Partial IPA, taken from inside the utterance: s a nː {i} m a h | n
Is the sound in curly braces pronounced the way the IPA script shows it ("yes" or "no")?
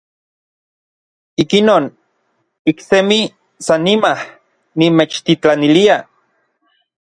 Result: yes